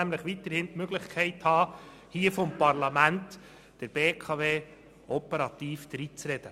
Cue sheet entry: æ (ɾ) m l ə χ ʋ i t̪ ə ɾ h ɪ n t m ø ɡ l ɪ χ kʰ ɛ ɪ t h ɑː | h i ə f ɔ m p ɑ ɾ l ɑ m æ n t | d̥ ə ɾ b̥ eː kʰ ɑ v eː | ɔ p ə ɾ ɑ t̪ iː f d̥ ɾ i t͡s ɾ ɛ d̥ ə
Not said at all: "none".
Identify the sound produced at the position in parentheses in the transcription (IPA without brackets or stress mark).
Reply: none